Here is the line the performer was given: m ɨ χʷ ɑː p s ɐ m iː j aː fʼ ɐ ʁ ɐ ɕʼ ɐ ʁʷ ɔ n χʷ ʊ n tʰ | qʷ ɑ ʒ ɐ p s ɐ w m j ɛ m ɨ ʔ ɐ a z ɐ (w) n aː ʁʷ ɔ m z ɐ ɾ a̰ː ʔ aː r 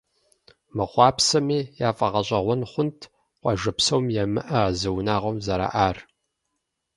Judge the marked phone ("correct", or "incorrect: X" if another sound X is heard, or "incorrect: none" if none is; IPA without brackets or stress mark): correct